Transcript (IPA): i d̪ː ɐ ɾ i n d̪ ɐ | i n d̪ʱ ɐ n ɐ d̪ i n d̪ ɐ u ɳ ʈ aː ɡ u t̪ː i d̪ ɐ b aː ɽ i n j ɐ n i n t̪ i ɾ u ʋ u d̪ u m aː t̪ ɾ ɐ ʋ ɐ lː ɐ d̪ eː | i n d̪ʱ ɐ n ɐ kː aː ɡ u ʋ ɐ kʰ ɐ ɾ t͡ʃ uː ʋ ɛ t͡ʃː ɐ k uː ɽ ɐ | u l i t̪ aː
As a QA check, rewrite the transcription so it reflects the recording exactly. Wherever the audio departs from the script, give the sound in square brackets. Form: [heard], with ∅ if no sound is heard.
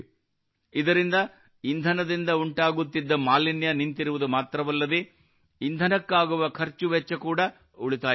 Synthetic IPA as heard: i [d̪] ɐ ɾ i n d̪ ɐ | i n d̪ʱ ɐ n ɐ d̪ i n d̪ ɐ u ɳ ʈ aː ɡ u t̪ː i [d̪ː] ɐ [m] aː [l] i n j ɐ n i n t̪ i ɾ u ʋ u d̪ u m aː t̪ ɾ ɐ ʋ ɐ lː ɐ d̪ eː | i n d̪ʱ ɐ n ɐ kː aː ɡ u ʋ ɐ kʰ ɐ ɾ t͡ʃ [u] ʋ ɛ t͡ʃː ɐ k uː ɽ ɐ | u [ɭ] i t̪ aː